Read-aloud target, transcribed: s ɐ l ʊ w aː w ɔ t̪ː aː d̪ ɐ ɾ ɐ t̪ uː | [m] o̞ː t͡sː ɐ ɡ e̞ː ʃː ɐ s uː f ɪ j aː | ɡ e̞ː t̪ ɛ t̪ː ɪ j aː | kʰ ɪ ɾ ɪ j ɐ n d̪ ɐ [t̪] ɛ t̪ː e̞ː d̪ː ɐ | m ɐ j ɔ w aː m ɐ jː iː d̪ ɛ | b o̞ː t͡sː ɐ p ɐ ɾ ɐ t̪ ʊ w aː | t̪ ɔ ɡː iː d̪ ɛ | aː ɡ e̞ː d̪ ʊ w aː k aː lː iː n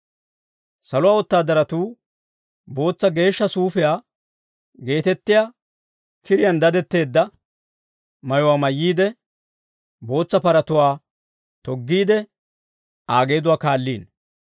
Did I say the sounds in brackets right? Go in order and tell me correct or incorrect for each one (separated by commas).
incorrect, incorrect